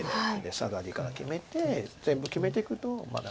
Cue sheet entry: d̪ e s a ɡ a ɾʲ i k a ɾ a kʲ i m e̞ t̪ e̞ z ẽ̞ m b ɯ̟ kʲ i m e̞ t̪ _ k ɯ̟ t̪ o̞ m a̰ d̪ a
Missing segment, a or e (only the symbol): e